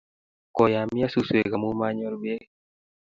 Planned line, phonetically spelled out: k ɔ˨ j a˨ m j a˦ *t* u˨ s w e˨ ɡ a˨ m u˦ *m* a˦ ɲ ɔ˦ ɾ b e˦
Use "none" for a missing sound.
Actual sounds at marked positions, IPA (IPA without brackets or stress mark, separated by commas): s, m